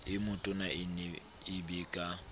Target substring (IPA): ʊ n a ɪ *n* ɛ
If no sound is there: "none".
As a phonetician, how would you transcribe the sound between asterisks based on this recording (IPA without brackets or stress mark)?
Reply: n